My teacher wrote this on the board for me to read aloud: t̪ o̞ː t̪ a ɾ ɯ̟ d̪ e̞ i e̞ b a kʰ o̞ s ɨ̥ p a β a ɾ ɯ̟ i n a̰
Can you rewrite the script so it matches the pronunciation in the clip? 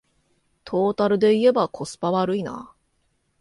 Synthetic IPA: t̪ʰ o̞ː t̪ a ɾ ɯ̟ d̪ e̞ i e̞ b a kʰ o̞ s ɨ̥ p a β a ɾ ɯ̟ i n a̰